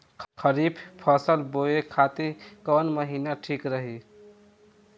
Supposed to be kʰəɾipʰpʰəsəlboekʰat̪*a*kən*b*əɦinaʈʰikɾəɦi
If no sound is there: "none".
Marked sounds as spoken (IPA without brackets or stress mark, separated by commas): i, m